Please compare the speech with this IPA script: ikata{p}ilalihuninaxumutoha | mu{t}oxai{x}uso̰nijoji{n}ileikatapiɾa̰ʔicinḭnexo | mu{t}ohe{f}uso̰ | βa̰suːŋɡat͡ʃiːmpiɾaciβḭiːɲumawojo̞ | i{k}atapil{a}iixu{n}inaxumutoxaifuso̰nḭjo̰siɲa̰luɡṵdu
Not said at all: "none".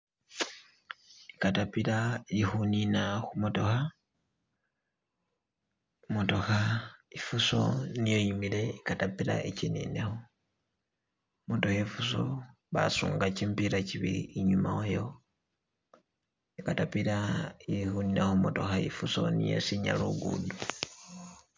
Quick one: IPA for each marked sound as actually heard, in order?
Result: p, t, f, m, t, f, k, a, n

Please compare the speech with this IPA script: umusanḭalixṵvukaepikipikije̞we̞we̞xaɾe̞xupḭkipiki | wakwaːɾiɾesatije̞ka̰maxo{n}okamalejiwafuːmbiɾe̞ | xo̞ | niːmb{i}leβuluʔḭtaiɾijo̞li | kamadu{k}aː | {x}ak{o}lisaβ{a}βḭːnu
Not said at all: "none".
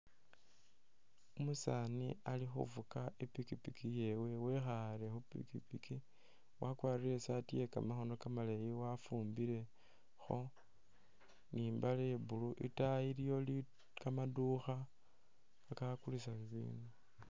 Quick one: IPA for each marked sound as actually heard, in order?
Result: n, a, x, k, u, i

